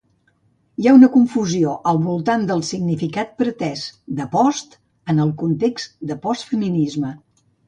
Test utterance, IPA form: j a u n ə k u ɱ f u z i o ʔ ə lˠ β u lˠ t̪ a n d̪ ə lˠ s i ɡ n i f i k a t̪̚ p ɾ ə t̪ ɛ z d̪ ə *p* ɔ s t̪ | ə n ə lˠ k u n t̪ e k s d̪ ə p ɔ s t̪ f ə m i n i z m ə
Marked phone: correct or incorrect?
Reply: correct